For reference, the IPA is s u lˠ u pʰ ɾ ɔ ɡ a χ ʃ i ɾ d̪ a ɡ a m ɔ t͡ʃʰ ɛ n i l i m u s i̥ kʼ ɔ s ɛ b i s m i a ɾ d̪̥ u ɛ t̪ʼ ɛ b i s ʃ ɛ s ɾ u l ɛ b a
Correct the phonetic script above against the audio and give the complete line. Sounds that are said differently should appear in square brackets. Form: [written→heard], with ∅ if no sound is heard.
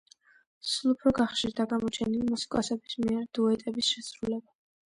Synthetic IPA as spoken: s u lˠ u pʰ ɾ ɔ ɡ a χ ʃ i ɾ d̪ a ɡ a m ɔ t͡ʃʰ ɛ n i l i m u s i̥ kʼ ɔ s ɛ b i s m i [a→ɛ] ɾ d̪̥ u ɛ t̪ʼ ɛ b i s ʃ ɛ s ɾ u l ɛ b a